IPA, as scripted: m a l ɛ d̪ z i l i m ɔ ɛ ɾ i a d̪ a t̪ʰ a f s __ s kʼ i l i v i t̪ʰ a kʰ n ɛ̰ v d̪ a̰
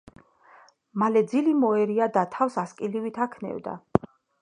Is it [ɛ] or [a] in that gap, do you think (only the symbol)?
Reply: a